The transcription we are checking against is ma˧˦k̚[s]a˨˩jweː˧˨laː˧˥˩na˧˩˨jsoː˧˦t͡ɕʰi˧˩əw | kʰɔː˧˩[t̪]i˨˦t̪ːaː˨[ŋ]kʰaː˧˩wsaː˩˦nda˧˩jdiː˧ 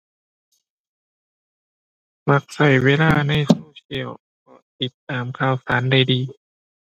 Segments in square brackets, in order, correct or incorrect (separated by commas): correct, correct, incorrect